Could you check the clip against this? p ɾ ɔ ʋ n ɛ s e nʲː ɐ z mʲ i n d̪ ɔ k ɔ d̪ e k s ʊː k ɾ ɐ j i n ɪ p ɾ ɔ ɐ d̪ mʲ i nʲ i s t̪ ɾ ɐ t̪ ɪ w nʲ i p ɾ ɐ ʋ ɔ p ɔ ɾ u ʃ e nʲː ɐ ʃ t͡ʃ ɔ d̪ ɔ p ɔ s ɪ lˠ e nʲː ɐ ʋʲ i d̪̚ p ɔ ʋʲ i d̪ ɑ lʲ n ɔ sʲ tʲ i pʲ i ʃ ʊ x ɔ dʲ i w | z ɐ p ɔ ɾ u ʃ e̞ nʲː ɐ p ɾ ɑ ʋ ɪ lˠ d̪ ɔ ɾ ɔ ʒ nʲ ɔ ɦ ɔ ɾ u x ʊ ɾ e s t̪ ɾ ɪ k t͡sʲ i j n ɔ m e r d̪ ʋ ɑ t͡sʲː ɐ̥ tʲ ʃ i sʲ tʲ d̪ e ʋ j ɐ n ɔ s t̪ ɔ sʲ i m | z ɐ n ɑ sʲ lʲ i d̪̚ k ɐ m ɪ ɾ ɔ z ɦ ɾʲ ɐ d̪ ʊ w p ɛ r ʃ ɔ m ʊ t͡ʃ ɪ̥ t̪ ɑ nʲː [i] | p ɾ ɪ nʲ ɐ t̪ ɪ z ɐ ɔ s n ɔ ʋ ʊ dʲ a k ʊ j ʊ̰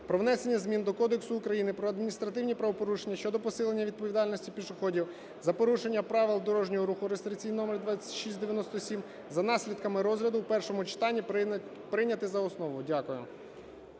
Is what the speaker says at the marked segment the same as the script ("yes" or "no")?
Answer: yes